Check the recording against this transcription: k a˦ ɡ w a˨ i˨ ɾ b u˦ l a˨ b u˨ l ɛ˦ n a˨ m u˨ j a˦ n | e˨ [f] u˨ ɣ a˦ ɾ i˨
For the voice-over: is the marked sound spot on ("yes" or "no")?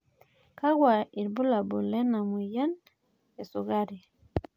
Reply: no